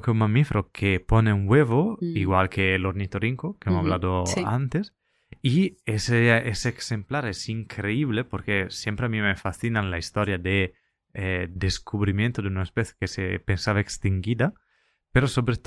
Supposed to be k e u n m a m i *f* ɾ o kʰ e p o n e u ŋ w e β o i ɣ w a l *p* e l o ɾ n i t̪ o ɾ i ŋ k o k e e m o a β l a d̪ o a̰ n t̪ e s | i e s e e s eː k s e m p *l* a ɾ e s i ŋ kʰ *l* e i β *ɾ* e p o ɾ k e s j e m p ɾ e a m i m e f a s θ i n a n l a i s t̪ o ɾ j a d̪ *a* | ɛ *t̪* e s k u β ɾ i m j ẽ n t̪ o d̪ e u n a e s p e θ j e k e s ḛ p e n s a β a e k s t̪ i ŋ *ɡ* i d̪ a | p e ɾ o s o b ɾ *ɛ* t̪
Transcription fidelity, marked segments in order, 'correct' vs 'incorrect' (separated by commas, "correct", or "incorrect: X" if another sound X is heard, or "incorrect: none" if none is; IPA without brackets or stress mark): correct, incorrect: k, correct, incorrect: ɾ, incorrect: l, incorrect: e, incorrect: d̪, correct, incorrect: e